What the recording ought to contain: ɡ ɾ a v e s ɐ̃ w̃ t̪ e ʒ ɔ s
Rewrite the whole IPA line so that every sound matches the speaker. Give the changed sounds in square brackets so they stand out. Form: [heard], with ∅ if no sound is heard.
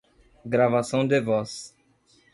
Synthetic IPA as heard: ɡ ɾ a v [a] s ɐ̃ w̃ [d̪] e [v] ɔ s